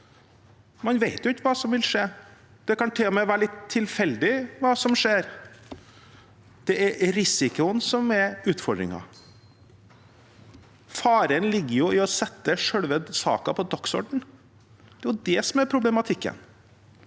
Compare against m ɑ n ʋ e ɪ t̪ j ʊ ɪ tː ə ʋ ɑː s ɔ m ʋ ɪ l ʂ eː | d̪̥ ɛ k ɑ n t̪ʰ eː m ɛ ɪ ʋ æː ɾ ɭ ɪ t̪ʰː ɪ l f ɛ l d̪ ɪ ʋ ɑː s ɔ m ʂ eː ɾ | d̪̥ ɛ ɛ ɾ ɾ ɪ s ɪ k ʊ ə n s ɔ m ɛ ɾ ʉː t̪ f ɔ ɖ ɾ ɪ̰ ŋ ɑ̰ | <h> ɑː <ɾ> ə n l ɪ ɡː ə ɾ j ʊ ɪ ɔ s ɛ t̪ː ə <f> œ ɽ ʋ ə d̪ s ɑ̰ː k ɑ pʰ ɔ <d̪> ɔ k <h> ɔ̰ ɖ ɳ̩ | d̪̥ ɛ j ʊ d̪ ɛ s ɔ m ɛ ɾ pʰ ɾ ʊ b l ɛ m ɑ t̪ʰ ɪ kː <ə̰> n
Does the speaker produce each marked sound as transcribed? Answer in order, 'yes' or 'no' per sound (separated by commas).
no, yes, no, yes, no, yes